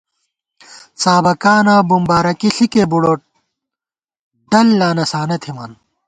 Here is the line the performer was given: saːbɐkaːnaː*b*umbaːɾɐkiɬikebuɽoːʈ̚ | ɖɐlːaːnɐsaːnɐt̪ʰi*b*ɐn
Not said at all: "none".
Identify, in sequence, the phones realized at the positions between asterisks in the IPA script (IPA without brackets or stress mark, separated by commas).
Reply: b, m